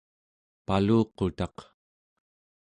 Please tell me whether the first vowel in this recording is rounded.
no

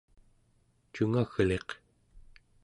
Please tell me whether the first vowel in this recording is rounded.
yes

